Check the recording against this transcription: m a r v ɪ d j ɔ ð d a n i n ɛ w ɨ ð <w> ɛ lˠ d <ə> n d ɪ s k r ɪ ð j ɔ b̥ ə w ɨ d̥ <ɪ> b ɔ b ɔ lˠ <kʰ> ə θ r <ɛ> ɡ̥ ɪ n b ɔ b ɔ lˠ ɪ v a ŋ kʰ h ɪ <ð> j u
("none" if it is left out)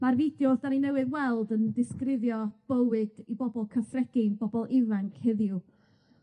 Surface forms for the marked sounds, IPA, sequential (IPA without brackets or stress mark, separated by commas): w, ə, i, kʰ, ɛ, ð